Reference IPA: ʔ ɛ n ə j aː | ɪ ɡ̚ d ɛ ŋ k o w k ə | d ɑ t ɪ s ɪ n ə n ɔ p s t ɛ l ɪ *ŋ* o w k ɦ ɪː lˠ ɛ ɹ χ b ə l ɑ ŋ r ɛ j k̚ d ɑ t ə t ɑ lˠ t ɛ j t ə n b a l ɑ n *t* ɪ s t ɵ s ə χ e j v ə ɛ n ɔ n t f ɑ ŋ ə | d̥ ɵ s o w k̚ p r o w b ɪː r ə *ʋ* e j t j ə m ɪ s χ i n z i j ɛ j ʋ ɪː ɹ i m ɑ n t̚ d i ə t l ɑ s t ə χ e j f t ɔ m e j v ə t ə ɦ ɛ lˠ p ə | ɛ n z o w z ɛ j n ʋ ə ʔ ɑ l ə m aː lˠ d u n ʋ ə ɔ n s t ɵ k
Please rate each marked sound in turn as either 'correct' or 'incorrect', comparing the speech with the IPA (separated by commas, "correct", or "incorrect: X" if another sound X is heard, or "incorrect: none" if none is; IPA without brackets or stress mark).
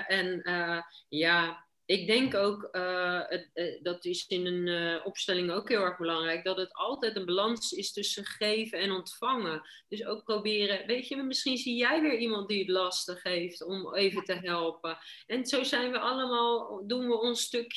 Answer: correct, incorrect: s, correct